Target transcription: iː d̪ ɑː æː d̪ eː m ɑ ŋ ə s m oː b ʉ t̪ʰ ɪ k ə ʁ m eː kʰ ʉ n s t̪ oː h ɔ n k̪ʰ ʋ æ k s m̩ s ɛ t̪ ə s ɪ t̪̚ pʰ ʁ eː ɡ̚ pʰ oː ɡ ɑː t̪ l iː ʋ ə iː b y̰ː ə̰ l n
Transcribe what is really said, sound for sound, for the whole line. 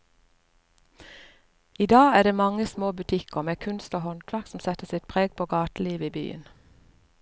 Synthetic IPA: iː d̪ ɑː æː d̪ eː m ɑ ŋ ə s m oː b ʉ t̪ʰ ɪ k ə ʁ m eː kʰ ʉ n s t̪ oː h ɔ n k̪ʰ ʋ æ k s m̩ s ɛ t̪ ə s ɪ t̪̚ pʰ ʁ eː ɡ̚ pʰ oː ɡ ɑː t̪ l iː ʋ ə iː b y̰ː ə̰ n